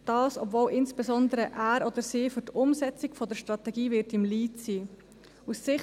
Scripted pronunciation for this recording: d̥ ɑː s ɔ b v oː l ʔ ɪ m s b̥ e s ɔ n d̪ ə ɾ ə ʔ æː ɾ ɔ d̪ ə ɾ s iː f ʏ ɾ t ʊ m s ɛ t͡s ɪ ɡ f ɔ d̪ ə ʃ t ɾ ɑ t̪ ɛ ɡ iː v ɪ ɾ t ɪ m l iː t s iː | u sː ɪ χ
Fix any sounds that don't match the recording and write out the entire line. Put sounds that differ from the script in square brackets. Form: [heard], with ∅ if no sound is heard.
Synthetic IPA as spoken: d̥ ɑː s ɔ b v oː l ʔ ɪ [n] s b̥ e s ɔ n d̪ ə ɾ ə ʔ æː ɾ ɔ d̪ ə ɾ s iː f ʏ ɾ t ʊ m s ɛ t͡s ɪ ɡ f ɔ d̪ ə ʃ t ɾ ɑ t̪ ɛ ɡ iː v ɪ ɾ t ɪ m l iː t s iː | u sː ɪ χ